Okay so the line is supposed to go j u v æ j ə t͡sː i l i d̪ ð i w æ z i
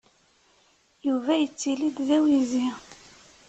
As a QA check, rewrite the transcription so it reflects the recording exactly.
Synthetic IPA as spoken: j u v æ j ə t͡sː i l i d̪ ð æ w i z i